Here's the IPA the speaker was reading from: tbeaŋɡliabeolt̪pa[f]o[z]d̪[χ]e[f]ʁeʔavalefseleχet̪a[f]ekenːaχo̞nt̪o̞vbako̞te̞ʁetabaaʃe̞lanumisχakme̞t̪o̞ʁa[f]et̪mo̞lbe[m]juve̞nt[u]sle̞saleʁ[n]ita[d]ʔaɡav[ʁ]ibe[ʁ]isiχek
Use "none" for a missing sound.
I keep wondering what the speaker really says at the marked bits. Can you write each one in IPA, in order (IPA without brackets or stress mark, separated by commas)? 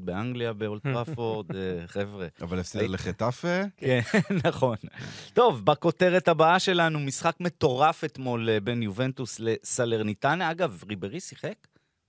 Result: f, ʁ, χ, v, f, f, n, u, n, n, ʁ, ʁ